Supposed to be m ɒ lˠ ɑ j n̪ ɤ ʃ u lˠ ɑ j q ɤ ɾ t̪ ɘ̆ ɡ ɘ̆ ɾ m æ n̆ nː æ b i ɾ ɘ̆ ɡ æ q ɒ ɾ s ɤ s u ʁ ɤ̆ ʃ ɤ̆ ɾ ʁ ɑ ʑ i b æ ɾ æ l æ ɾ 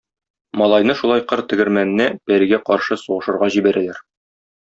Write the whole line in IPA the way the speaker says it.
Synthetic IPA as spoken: m ɒ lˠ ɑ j n̪ ɤ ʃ u lˠ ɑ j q ɤ ɾ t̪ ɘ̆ ɡ ɘ̆ ɾ m æ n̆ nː æ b æ ɾ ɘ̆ ɡ æ q ɒ ɾ ʃ ɤ s u ʁ ɤ̆ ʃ ɤ̆ ɾ ʁ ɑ ʑ i b æ ɾ æ l æ ɾ